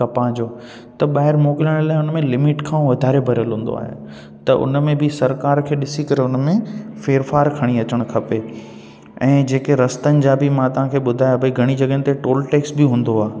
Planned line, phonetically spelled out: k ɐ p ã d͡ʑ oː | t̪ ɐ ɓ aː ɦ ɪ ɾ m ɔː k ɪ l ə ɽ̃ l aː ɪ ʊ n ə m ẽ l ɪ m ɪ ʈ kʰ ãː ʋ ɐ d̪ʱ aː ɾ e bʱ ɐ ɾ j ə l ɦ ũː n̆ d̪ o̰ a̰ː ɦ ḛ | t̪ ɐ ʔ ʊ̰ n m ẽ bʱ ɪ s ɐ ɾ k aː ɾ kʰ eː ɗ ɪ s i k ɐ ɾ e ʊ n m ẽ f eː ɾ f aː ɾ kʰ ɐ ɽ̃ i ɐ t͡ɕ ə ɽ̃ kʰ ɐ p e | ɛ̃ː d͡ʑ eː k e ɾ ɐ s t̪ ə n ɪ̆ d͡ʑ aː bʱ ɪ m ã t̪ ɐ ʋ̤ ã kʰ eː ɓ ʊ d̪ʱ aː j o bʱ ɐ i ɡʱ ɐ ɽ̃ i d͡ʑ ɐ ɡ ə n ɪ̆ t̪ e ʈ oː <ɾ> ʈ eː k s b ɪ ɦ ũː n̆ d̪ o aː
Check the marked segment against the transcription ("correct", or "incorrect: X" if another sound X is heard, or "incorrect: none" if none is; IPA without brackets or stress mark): incorrect: l